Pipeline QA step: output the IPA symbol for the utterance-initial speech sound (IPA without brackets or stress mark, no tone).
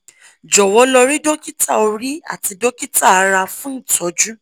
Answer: d͡ʒ